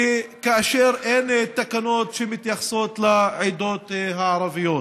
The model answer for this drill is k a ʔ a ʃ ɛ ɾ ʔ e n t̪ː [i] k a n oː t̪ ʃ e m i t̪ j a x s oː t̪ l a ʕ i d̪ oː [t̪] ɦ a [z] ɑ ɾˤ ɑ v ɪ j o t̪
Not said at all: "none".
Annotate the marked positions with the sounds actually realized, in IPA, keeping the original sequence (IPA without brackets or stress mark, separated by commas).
a, t̪, ʕ